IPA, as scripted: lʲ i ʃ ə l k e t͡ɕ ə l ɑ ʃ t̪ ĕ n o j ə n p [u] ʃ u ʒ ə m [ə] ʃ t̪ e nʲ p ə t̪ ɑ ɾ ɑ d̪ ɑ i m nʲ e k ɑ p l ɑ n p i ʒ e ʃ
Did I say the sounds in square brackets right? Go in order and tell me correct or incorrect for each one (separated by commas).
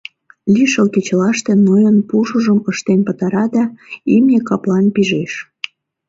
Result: correct, correct